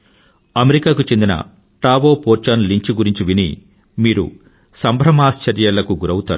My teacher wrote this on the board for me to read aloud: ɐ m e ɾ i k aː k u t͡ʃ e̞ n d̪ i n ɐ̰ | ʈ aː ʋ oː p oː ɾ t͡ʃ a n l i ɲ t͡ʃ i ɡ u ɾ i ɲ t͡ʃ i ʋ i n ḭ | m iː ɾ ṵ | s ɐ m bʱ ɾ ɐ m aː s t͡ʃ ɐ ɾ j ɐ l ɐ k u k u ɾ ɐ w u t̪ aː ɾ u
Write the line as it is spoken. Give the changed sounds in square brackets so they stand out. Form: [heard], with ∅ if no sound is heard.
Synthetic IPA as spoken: ɐ m e ɾ i k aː k u t͡ʃ e̞ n d̪ i n ɐ̰ | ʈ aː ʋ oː p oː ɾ t͡ʃ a n l i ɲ t͡ʃ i ɡ u ɾ i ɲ t͡ʃ i ʋ i n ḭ | m iː ɾ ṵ | s ɐ m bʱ ɾ ɐ m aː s t͡ʃ ɐ ɾ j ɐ l ɐ k u [ɡ] u ɾ ɐ w u t̪ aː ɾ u